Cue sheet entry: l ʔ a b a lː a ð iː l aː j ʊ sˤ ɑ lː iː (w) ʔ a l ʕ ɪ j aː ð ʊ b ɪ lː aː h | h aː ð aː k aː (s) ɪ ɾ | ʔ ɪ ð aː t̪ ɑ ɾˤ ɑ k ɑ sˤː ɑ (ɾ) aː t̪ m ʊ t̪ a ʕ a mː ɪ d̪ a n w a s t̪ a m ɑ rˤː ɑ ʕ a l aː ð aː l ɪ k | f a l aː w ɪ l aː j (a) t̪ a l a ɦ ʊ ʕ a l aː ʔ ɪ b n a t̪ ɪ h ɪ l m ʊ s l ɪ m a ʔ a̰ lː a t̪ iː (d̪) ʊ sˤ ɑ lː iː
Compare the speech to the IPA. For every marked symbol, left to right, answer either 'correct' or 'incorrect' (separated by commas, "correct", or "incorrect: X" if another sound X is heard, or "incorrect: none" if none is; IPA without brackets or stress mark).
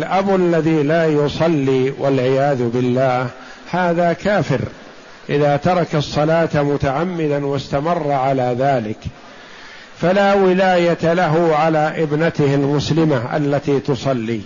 correct, incorrect: f, incorrect: l, correct, incorrect: t̪